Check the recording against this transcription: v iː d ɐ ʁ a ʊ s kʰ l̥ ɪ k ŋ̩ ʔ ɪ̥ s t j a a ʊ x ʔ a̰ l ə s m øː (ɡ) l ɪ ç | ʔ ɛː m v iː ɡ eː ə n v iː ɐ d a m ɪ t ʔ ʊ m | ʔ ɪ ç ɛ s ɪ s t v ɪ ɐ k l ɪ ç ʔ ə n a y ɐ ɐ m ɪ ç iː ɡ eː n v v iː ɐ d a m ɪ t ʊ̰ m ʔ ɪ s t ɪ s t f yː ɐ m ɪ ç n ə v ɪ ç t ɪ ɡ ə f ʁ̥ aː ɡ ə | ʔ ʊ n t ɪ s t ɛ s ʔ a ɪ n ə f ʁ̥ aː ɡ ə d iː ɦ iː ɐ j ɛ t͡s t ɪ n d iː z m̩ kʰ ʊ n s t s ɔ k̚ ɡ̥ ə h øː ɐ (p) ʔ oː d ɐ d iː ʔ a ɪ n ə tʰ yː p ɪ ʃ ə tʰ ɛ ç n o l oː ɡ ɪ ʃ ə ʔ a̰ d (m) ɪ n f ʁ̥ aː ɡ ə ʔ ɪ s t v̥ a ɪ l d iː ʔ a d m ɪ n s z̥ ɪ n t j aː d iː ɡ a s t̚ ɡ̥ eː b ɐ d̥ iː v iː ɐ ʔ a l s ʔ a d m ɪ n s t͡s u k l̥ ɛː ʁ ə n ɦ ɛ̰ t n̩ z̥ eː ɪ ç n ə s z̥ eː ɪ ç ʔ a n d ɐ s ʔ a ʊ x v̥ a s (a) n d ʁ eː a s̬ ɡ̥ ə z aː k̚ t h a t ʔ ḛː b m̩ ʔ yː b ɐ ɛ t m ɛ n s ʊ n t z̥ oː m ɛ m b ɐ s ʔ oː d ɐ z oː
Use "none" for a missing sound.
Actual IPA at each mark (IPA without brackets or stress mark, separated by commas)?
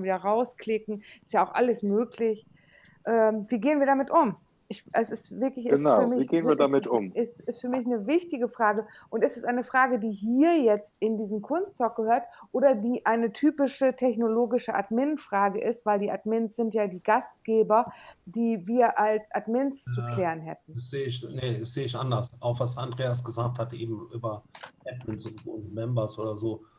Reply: k, t, m, a